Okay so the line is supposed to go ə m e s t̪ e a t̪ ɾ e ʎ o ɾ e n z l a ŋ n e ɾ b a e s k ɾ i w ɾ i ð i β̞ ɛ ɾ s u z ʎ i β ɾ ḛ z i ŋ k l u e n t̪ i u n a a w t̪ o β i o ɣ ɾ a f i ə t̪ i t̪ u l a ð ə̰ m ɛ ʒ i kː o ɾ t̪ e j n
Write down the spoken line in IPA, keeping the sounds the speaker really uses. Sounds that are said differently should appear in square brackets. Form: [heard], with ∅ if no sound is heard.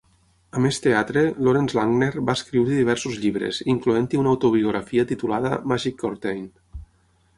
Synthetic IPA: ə m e s t̪ e a t̪ ɾ e [l] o ɾ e n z l a ŋ n e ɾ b a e s k ɾ i w ɾ i ð i β̞ ɛ ɾ s u z ʎ i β ɾ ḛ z i ŋ k l u e n t̪ i u n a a w t̪ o β i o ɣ ɾ a f i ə t̪ i t̪ u l a ð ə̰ m [a] ʒ i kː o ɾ t̪ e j n

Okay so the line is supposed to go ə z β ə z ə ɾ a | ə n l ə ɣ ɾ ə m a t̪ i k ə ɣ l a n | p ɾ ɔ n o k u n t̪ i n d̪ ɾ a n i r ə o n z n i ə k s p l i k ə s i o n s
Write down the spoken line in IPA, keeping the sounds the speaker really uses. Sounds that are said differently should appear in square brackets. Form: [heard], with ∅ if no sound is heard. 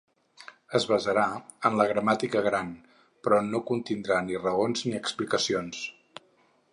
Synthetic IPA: ə z β ə z ə ɾ a | ə n l ə ɣ ɾ ə m a t̪ i k ə ɣ [ɾ] a n | p ɾ ɔ n o k u n t̪ i n d̪ ɾ a n i r ə o n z n i ə k s p l i k ə s i o n s

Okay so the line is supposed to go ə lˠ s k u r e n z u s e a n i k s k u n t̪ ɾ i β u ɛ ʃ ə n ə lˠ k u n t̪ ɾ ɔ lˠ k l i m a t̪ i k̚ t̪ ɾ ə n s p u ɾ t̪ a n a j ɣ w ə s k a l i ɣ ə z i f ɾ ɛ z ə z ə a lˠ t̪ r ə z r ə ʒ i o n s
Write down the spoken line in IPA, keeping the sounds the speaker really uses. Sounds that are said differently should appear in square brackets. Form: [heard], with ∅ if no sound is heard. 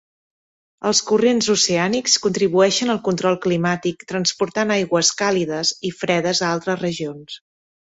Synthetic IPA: ə lˠ s k u r e n z u s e a n i k s k u n t̪ ɾ i β u ɛ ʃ ə n ə lˠ k u n t̪ ɾ ɔ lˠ k l i m a t̪ i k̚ t̪ ɾ ə n s p u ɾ t̪ a n a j ɣ w ə s k a l i [ð] ə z i f ɾ ɛ [ð] ə z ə a lˠ t̪ [ɾ] ə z r ə ʒ i o n s

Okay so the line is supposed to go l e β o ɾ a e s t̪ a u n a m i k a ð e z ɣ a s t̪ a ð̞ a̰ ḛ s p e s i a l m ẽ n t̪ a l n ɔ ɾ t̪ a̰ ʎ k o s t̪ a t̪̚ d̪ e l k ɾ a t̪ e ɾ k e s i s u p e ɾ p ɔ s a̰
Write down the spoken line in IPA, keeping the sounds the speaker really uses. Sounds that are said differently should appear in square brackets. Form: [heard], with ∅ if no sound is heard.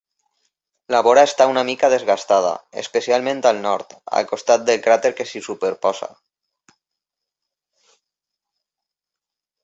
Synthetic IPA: l [a] β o ɾ a e s t̪ a u n a m i k a ð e z ɣ a s t̪ a ð̞ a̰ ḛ s p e s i a l m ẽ n t̪ a l n ɔ ɾ t̪ a̰ [l] k o s t̪ a t̪̚ d̪ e l k ɾ a t̪ e ɾ k e s i s u p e ɾ p ɔ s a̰

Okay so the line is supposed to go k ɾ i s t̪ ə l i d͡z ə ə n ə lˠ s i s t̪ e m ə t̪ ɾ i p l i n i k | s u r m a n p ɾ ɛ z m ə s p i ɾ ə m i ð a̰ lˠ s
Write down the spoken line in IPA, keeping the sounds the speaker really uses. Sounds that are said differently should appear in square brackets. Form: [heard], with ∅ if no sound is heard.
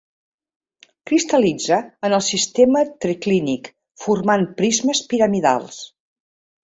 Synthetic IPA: k ɾ i s t̪ ə l i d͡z ə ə n ə lˠ s i s t̪ e m ə t̪ ɾ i [k] l i n i k | [f] u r m a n p ɾ [i] z m ə s p i ɾ ə m i ð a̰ lˠ s

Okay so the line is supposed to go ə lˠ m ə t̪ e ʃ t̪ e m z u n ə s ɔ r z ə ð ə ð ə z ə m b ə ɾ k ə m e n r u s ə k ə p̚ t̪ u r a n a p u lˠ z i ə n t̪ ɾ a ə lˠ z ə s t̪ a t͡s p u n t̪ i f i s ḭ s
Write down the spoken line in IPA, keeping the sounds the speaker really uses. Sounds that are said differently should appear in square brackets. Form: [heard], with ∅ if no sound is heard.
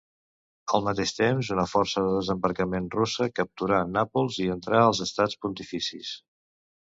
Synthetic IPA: ə lˠ m ə t̪ e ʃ t̪ e m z u n ə [f] ɔ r [s] ə ð ə ð ə z ə m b ə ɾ k ə m e n r u s ə k ə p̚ t̪ u [ɾ] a n a p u lˠ z i ə n t̪ ɾ a ə lˠ z ə s t̪ a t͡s p u n t̪ i f i s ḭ s

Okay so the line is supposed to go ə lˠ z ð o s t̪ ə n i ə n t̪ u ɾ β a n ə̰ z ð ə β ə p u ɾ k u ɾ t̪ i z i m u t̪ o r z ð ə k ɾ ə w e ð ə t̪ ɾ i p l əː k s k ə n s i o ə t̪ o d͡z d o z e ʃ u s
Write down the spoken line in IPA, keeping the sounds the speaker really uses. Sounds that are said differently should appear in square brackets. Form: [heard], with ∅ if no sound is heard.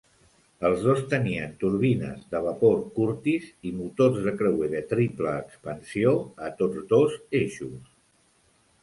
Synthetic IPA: ə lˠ z ð o s t̪ ə n i ə n t̪ u ɾ β [i] n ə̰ z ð ə β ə p [o] ɾ k u ɾ t̪ i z i m u t̪ o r z ð ə k ɾ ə w e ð ə t̪ ɾ i p l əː k s [p] ə n s i o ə t̪ o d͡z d o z e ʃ u s

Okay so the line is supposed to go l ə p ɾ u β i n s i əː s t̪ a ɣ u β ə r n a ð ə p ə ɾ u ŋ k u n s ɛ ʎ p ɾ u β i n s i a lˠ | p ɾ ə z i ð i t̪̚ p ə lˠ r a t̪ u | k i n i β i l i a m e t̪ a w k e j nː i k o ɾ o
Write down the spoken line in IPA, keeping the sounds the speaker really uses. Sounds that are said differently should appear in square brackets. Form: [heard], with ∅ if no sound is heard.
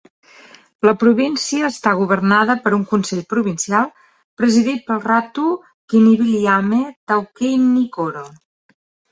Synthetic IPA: l ə p ɾ u β i n s i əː s t̪ a ɣ u β ə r n a ð ə p ə ɾ u ŋ k u n s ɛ ʎ p ɾ u β i n s i a lˠ | p ɾ ə z i ð i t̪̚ p ə lˠ r a t̪ u | k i n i β i l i a m e t̪ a w k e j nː i k o ɾ o

